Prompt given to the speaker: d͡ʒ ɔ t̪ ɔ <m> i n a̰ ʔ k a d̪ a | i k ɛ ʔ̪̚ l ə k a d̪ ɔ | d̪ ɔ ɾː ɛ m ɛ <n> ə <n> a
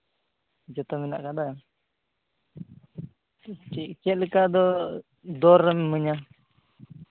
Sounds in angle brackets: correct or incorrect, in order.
correct, incorrect: m, incorrect: ɲ

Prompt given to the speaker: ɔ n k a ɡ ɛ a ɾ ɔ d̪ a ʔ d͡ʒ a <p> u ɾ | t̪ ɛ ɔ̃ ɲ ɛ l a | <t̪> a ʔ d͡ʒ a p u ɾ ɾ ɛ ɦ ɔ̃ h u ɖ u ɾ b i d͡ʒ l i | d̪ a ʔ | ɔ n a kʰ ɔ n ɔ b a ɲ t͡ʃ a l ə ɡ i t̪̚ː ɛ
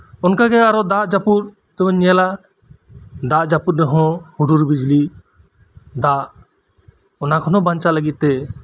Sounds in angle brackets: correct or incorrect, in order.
correct, incorrect: d̪

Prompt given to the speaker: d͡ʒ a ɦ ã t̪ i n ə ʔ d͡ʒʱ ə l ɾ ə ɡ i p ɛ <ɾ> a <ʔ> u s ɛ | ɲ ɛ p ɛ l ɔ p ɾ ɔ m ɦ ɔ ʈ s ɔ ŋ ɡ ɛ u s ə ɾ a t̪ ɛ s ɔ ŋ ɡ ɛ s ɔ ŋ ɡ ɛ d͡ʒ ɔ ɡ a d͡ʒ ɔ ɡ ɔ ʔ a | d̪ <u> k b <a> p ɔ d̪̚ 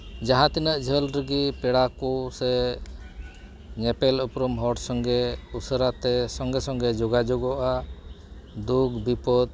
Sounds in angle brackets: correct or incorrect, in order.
incorrect: ɽ, incorrect: k, correct, incorrect: i

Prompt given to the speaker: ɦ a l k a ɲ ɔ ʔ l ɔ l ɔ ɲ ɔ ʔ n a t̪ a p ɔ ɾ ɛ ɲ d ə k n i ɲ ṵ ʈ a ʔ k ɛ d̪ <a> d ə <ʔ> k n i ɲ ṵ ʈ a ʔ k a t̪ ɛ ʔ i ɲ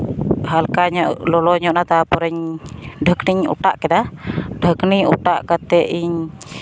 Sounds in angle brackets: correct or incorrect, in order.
correct, incorrect: none

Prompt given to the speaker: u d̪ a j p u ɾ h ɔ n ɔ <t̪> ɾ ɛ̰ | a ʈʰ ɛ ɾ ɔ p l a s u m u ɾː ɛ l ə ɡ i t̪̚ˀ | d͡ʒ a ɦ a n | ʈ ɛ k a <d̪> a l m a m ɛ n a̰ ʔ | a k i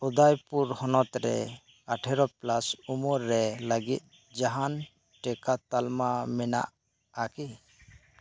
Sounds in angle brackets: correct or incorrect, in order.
correct, incorrect: t̪

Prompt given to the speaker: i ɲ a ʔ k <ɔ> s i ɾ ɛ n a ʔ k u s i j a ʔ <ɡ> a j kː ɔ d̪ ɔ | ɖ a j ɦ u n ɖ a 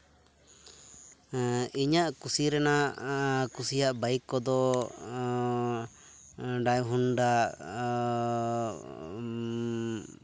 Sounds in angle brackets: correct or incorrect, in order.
incorrect: u, incorrect: b

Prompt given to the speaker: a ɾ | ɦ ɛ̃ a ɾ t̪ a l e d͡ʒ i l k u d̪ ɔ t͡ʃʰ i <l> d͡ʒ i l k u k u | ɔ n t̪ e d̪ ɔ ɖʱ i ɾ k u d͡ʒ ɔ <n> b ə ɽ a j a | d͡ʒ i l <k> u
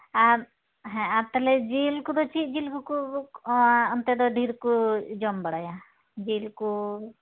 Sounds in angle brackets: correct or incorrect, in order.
incorrect: none, incorrect: m, correct

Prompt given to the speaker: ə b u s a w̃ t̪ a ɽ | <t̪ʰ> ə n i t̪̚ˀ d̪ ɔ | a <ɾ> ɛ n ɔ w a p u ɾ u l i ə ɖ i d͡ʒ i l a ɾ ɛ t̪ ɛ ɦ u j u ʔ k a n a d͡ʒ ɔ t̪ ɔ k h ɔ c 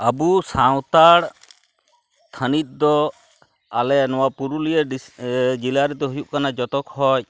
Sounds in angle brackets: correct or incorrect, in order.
correct, incorrect: l

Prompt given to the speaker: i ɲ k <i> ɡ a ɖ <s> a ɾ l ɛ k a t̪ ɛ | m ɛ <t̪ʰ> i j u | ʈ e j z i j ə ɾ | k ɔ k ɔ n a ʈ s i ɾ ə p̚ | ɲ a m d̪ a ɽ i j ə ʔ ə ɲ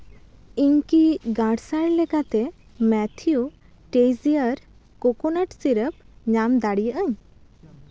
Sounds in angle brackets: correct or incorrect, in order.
correct, correct, correct

